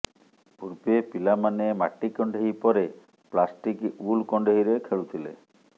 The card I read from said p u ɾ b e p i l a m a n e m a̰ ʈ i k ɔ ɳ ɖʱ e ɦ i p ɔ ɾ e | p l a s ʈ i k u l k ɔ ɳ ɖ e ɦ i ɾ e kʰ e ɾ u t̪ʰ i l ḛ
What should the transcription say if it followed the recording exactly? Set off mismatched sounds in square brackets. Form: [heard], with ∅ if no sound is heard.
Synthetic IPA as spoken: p u ɾ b e p i l a m a n e m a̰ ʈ i k ɔ ɳ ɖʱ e ɦ i p ɔ ɾ e | p l a s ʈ i k u l k ɔ ɳ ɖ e ɦ i ɾ e kʰ e [ɭ] u t̪ʰ i l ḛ